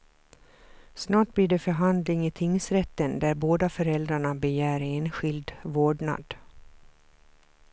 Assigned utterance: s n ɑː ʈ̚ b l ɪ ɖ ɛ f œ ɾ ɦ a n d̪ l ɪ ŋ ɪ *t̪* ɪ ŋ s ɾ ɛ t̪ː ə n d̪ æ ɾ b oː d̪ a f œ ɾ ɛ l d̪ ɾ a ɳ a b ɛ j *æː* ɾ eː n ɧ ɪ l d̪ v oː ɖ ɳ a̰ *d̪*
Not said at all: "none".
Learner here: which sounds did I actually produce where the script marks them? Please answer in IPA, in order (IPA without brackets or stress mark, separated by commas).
t̪ʰ, æː, d̪